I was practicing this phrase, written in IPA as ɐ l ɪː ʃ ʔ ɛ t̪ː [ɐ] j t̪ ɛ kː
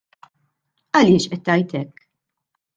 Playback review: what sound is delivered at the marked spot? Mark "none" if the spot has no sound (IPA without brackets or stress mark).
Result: ɐ